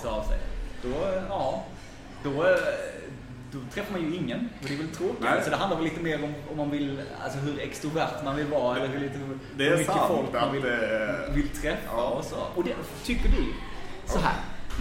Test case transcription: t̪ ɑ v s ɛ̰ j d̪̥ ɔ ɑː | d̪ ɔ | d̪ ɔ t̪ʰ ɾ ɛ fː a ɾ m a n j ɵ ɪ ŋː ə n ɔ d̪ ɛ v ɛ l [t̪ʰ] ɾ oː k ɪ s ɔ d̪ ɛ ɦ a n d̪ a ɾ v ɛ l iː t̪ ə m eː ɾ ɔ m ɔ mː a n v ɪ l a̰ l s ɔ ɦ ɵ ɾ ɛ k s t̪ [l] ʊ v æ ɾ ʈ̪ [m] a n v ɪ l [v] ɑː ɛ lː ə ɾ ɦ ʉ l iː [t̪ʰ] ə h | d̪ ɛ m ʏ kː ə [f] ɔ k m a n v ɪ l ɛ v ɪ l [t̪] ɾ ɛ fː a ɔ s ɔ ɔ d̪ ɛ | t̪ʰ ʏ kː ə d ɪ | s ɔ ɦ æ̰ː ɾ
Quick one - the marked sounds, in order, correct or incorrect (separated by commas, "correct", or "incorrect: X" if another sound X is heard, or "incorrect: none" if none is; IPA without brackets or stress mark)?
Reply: correct, incorrect: ɾ, correct, correct, incorrect: t̪, correct, incorrect: t̪ʰ